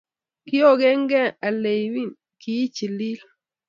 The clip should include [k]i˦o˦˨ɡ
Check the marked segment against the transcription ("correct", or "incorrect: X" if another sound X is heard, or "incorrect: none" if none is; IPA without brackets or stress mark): correct